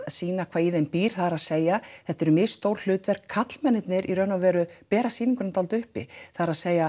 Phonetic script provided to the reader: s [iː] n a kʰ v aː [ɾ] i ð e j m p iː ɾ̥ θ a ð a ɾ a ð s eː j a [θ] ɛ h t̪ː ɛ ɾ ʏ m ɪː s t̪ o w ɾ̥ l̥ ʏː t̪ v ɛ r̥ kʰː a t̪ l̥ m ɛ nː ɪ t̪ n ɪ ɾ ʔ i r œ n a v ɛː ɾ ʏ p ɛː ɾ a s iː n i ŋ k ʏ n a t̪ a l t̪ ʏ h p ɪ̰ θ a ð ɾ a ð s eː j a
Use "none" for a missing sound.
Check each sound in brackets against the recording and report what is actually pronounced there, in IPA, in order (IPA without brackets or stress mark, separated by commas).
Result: iː, none, θ